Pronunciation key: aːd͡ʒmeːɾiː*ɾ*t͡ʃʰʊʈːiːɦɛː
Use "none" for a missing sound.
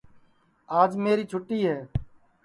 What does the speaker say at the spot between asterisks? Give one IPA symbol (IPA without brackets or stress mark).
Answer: none